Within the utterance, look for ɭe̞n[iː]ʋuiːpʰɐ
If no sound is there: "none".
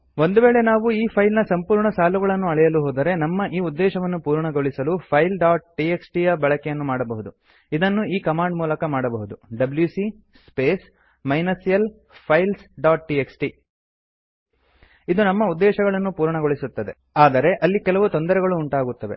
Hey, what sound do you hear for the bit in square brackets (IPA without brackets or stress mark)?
aː